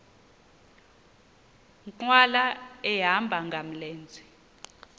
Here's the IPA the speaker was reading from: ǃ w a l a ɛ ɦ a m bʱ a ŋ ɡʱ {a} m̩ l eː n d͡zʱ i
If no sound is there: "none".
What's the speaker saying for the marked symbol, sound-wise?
a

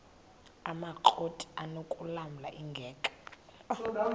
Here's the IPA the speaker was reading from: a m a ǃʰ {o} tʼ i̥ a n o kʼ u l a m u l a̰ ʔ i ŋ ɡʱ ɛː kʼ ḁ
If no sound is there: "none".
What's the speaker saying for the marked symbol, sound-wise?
o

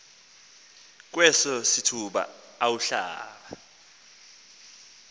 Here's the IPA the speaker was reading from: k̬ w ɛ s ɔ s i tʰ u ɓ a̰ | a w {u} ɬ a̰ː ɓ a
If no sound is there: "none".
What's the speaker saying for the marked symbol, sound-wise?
u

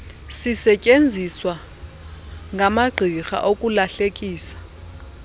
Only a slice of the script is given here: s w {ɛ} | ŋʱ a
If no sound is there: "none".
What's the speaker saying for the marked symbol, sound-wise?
a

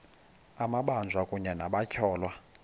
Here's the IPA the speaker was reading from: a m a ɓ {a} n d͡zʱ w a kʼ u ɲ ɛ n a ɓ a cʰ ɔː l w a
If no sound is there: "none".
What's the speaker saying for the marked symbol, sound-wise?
a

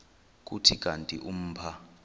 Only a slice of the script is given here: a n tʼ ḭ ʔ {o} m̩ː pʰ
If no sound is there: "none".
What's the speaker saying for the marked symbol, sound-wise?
u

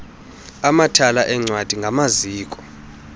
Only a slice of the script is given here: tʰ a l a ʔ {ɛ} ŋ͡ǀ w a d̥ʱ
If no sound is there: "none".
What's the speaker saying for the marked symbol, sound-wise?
ɛ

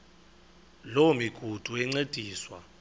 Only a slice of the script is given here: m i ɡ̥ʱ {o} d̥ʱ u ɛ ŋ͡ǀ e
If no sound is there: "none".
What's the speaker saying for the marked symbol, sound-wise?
u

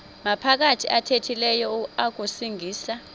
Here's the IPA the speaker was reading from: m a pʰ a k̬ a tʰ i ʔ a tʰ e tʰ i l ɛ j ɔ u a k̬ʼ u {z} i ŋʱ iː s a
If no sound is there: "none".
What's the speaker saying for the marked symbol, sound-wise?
s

